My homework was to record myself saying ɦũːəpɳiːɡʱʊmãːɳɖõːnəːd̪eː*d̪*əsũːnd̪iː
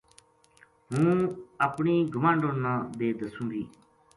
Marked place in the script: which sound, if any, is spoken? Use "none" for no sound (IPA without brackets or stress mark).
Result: d̪